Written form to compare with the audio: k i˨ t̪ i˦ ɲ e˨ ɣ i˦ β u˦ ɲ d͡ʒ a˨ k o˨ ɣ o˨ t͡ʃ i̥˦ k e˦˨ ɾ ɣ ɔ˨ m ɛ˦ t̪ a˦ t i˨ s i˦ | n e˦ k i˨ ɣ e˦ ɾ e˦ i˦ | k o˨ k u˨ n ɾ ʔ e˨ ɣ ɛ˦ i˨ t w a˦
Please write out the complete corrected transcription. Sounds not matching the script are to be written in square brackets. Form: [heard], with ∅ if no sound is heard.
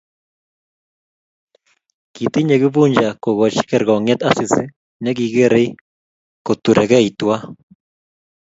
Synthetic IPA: k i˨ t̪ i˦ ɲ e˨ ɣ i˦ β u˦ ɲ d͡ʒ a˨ k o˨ ɣ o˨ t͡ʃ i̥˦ k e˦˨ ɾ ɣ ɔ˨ [ŋ] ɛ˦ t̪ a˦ [s] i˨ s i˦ | n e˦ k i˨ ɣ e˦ ɾ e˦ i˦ | k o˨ [t] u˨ [∅] ɾ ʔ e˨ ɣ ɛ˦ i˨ t w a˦